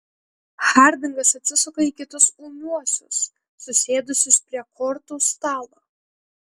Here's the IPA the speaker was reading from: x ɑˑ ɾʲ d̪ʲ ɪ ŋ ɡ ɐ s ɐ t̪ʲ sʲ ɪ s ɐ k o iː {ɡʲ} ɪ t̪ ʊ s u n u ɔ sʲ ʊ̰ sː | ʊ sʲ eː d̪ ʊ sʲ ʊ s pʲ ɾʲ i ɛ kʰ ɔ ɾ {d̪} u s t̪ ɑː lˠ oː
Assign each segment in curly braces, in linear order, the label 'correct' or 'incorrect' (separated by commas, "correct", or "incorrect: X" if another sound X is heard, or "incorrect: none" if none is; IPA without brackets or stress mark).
incorrect: kʲ, incorrect: t̪